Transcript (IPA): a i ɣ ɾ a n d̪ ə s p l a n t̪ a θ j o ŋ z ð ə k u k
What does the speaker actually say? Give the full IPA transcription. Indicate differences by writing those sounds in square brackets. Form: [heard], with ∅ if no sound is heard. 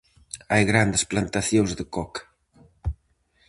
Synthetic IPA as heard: a [j] ɣ ɾ a n d̪ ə s p l a n t̪ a θ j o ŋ z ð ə k [ɔ] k